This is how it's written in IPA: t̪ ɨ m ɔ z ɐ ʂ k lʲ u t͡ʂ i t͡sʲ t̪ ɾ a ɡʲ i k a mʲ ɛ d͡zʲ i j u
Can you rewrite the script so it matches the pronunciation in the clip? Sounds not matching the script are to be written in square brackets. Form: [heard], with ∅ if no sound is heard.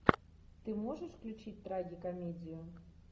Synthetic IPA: t̪ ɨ m ɔ [ʐ] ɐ ʂ k lʲ u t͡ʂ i t͡sʲ t̪ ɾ a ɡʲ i k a mʲ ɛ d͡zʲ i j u